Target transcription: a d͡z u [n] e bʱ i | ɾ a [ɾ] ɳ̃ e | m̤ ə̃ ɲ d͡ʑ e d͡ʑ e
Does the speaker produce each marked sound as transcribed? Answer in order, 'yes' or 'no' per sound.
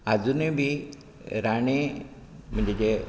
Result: yes, no

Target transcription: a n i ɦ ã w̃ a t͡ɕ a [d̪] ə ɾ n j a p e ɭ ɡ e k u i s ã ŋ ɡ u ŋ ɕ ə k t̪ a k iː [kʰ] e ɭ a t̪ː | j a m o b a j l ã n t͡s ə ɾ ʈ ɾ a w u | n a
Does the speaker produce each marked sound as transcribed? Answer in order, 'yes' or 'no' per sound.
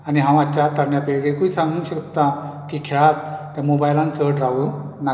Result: no, yes

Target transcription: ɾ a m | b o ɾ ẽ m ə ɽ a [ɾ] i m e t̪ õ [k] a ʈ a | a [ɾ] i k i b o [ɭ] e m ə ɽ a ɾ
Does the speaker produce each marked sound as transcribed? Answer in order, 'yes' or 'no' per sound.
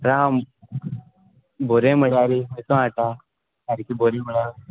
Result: yes, no, yes, no

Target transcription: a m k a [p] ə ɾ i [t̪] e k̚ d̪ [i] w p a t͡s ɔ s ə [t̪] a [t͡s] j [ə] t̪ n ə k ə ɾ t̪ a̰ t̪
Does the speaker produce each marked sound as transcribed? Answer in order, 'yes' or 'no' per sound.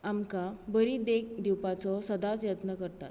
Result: no, no, yes, no, yes, yes

